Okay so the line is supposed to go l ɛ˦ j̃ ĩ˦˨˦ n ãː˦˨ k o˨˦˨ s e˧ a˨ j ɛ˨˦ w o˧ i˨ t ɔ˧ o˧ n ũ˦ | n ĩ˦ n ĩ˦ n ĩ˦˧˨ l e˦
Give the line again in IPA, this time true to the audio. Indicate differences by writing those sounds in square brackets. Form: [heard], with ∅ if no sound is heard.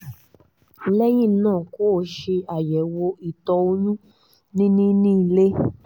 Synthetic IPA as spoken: l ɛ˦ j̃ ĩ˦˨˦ n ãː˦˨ k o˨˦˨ [ʃ] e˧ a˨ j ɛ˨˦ w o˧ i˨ t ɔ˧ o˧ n ũ˦ | n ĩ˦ n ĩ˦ n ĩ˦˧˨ l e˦